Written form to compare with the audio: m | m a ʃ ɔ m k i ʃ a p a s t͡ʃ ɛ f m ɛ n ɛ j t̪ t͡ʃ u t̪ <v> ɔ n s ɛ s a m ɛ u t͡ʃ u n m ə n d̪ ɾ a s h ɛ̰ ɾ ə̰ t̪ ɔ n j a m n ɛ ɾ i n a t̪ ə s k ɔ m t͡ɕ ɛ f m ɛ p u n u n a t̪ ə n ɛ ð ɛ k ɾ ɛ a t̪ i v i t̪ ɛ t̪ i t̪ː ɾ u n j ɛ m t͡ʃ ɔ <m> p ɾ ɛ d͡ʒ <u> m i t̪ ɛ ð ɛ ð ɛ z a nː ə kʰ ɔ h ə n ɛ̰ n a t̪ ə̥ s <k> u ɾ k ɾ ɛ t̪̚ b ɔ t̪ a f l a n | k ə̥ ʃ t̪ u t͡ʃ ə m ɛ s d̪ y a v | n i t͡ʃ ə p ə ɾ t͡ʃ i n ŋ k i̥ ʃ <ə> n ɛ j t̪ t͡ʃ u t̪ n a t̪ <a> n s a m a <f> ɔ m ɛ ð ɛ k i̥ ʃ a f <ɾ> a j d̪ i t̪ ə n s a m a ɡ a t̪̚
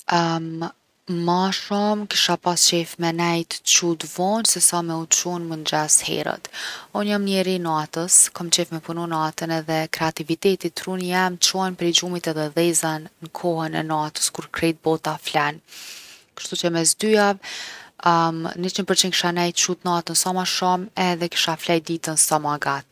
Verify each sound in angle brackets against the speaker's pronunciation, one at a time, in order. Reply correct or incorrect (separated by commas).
correct, incorrect, correct, correct, incorrect, incorrect, incorrect, incorrect